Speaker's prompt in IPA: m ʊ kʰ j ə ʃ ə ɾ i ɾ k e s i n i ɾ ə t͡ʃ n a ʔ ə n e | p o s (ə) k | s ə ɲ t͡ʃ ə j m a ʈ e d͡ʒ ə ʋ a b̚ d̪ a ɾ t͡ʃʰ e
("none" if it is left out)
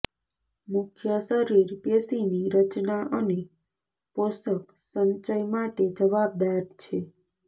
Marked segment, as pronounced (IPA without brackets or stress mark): ə